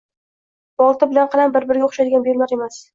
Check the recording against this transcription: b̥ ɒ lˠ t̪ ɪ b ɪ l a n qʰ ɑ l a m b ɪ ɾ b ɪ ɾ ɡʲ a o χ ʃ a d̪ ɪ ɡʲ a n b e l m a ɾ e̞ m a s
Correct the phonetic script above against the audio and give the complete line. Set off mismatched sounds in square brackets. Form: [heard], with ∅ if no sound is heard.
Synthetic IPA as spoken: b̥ ɒ lˠ t̪ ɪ b ɪ l a n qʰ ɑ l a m b ɪ ɾ b ɪ ɾ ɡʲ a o χ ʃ a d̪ ɪ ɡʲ a n b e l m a ɾ e̞ m a s